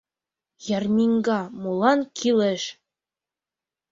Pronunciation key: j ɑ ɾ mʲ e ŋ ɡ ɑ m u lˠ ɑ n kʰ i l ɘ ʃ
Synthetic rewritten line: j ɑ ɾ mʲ i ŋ ɡ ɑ m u lˠ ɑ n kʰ i l ɘ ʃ